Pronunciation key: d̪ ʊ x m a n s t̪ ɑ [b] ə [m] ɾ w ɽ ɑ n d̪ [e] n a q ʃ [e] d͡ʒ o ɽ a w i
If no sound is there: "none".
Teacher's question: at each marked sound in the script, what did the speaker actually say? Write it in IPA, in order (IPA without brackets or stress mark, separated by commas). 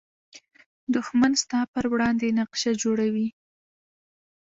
p, none, e, a